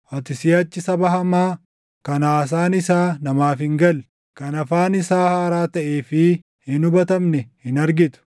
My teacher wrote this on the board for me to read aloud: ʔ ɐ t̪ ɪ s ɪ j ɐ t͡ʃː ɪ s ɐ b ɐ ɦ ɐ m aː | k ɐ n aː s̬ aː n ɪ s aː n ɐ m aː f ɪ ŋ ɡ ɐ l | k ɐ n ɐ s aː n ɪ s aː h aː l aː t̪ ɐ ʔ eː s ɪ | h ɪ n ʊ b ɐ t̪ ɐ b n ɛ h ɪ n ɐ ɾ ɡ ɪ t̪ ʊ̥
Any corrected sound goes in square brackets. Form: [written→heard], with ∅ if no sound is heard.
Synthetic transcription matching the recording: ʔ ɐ t̪ ɪ s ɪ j ɐ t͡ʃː ɪ s ɐ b ɐ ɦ ɐ m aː | k ɐ n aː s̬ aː n ɪ s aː n ɐ m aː f ɪ ŋ ɡ ɐ l | k ɐ n ɐ [s→f] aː n ɪ s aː h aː [l→ɾ] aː t̪ ɐ ʔ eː [s→f] ɪ | h ɪ n ʊ b ɐ t̪ ɐ [b→m] n ɛ h ɪ n ɐ ɾ ɡ ɪ t̪ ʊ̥